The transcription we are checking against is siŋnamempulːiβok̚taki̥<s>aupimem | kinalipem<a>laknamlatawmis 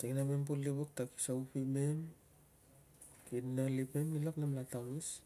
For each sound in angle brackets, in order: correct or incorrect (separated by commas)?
correct, incorrect